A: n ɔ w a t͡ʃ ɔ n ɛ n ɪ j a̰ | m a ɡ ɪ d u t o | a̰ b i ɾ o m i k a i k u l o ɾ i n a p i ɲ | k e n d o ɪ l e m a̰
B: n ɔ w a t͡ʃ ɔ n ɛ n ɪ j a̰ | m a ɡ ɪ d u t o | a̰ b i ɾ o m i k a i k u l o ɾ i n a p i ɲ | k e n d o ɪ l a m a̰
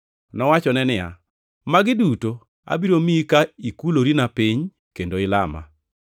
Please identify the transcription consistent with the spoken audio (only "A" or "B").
B